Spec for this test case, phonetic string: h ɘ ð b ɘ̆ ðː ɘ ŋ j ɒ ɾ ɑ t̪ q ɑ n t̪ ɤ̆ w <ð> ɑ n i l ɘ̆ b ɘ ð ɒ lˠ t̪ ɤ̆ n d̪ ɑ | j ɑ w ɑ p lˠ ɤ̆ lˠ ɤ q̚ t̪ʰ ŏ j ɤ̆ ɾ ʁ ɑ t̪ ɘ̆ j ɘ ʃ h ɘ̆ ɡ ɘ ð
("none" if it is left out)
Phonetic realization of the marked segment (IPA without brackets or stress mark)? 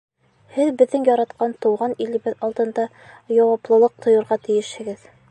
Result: ʁ